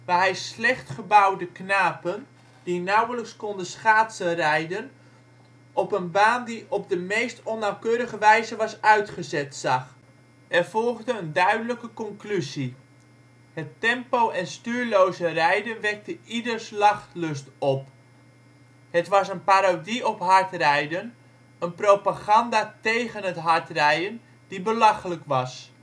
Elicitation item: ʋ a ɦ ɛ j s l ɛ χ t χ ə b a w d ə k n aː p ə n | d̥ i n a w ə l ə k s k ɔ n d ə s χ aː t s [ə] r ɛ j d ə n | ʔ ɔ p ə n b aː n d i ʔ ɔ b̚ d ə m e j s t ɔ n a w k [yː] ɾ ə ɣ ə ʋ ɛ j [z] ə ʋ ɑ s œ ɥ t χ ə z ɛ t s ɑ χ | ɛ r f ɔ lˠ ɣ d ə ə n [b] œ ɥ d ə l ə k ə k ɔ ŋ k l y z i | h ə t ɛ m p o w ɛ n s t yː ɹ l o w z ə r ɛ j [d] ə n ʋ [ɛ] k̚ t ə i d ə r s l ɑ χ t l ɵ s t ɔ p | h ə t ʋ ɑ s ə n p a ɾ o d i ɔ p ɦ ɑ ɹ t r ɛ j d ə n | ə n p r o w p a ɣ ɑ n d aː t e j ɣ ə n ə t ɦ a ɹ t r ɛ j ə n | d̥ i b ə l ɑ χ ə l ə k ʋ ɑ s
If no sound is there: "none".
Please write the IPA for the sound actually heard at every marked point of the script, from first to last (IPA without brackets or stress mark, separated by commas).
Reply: ə, øː, z, d, d, ɛ